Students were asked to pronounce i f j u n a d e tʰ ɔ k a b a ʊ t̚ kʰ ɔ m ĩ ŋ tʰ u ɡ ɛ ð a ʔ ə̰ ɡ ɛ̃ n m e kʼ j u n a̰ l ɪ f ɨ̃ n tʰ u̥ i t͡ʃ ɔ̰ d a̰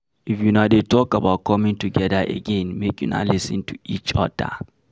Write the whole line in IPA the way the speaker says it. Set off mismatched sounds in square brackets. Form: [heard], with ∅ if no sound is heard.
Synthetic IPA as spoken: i f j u n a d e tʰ ɔ k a b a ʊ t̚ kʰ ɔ m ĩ ŋ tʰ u ɡ ɛ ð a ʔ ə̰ ɡ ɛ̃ n m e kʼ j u n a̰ l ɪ [s] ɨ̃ n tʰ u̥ i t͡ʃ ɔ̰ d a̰